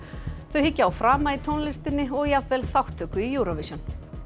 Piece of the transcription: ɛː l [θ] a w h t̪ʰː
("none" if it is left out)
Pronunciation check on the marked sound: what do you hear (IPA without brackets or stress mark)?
θ